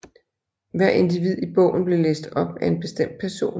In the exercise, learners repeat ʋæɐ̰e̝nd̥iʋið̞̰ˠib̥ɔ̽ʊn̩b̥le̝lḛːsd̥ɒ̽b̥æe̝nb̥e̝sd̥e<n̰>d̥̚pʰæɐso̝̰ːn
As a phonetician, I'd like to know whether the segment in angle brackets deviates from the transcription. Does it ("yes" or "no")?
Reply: yes